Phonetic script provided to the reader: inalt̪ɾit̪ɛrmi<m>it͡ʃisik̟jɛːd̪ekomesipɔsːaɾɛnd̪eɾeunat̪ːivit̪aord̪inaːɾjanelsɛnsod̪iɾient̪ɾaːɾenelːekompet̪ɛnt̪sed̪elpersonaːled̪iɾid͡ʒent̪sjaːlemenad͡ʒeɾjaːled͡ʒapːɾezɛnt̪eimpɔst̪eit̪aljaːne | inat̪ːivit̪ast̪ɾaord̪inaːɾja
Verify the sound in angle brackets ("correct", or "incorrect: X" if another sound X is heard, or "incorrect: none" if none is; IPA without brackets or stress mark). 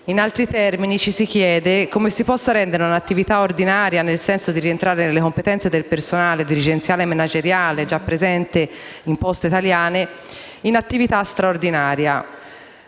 incorrect: n